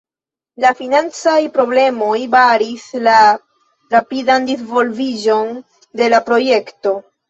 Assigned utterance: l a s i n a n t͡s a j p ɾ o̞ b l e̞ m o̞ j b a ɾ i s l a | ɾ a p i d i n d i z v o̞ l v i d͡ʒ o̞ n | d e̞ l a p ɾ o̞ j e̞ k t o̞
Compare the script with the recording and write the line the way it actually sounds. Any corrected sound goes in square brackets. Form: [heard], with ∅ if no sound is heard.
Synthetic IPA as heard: l a [f] i n a n t͡s a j p ɾ o̞ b l e̞ m o̞ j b a ɾ i s l a | ɾ a p i d [a] n d i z v o̞ l v i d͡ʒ o̞ n | d e̞ l a p ɾ o̞ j e̞ k t o̞